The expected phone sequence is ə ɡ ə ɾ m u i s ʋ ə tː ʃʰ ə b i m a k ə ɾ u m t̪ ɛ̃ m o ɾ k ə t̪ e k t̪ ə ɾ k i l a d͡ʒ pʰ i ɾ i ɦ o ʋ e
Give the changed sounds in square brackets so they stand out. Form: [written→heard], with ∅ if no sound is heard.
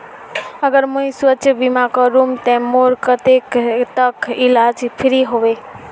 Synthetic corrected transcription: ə ɡ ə ɾ m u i s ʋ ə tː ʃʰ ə b i m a k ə ɾ u m t̪ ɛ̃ m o ɾ k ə t̪ e k t̪ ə [ɾ→∅] k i l a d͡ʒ pʰ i ɾ i ɦ o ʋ e

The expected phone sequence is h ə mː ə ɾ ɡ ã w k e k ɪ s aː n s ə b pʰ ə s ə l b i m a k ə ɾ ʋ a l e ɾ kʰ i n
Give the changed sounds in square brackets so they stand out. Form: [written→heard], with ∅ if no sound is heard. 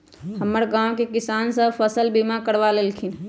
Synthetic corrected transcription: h ə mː ə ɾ ɡ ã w k e k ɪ s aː n s ə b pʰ ə s ə l b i m a k ə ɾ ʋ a l e [ɾ→l] kʰ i n

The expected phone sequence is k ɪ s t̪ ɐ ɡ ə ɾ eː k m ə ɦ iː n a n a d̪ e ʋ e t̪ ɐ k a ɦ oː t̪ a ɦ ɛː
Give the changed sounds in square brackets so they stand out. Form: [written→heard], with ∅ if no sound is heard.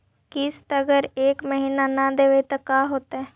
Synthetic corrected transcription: k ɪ s t̪ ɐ ɡ ə ɾ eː k m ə ɦ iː n a n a d̪ e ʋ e t̪ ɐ k a ɦ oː t̪ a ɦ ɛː

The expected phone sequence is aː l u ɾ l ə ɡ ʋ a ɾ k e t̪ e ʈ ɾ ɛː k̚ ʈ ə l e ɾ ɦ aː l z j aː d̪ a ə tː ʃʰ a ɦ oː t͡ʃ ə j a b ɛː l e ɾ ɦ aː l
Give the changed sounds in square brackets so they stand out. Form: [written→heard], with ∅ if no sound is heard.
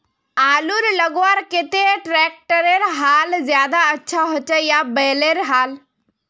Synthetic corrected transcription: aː l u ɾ l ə ɡ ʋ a ɾ k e t̪ e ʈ ɾ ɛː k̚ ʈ ə [l→ɾ] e ɾ ɦ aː l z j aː d̪ a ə tː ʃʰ a ɦ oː t͡ʃ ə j a b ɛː l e ɾ ɦ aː l

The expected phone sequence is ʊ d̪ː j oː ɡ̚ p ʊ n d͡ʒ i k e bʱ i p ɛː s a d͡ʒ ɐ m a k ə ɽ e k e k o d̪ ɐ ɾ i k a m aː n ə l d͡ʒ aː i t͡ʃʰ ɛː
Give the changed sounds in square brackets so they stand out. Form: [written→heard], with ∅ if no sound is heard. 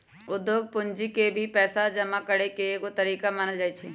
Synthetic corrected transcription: ʊ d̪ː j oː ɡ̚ p ʊ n d͡ʒ i k e bʱ i p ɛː s a d͡ʒ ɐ m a k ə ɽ e k e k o [d̪→t̪] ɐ ɾ [i→iː] k a m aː n ə l d͡ʒ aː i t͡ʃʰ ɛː

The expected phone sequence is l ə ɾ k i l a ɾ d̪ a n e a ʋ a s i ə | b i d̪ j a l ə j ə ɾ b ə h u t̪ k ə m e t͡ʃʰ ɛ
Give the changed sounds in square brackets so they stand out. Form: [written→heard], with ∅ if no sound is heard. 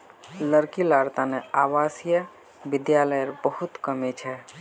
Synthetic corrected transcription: l ə ɾ k i l a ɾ [d̪→t̪] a n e a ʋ a s [i→j] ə | b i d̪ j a l ə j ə ɾ b ə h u t̪ k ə m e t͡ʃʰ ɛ

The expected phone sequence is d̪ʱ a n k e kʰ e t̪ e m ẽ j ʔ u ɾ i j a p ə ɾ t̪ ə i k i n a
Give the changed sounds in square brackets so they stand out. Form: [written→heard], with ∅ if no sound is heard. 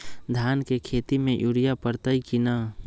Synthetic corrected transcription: d̪ʱ a n k e kʰ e t̪ [e→i] m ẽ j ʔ u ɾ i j a p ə ɾ t̪ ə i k i n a

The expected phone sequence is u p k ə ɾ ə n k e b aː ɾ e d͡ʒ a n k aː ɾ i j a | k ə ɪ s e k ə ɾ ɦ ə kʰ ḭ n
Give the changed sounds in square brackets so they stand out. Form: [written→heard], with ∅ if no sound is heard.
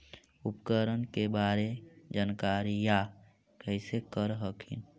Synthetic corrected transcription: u p k ə ɾ ə n k e b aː ɾ e d͡ʒ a n k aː ɾ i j a | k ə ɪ s e k ə ɾ ɦ ə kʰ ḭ n

